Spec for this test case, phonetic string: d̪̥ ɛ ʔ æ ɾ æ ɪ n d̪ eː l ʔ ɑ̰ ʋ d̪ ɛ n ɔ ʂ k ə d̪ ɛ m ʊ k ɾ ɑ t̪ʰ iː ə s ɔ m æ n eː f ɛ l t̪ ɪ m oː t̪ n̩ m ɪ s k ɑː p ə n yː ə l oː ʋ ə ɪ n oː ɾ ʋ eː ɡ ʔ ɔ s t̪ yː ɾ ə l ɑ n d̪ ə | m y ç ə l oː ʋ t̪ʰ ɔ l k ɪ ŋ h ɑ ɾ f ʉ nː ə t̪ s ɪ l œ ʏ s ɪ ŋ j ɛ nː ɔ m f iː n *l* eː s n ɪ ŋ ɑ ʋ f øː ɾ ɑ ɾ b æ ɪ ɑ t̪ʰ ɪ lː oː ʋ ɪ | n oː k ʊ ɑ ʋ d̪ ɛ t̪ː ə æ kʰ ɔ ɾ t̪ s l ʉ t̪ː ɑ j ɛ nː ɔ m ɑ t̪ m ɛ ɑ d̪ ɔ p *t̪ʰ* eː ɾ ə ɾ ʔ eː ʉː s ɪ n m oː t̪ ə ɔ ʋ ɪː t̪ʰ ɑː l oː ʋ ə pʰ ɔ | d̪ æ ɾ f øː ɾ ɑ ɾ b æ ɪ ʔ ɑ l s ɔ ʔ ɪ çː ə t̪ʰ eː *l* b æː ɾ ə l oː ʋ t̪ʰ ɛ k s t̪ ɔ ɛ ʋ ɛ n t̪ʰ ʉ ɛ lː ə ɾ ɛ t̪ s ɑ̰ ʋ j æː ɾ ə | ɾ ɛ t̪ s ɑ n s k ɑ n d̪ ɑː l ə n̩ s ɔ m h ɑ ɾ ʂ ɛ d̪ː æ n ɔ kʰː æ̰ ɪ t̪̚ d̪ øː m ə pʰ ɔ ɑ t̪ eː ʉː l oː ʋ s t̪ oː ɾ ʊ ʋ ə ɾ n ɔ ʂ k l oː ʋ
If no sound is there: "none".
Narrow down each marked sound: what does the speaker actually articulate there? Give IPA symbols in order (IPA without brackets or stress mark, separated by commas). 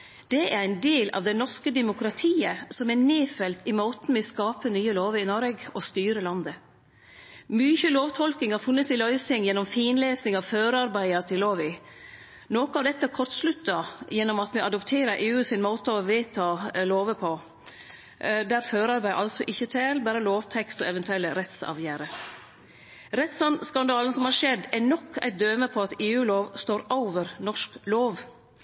l, t̪ʰ, l